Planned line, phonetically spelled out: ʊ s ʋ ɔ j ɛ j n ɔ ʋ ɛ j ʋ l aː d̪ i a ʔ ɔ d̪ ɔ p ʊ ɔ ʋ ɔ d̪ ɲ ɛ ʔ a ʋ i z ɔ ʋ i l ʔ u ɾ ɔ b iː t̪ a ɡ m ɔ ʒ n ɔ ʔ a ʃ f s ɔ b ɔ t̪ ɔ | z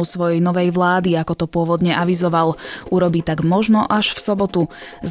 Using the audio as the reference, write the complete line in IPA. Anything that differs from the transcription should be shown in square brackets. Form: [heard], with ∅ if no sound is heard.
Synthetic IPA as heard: ʊ s ʋ ɔ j ɛ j n ɔ ʋ ɛ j ʋ l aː d̪ i a [k] ɔ [t̪] ɔ p ʊ ɔ ʋ ɔ d̪ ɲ ɛ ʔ a ʋ i z ɔ ʋ [a] l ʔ u ɾ ɔ b iː t̪ a ɡ m ɔ ʒ n ɔ ʔ a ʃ f s ɔ b ɔ t̪ [u] | z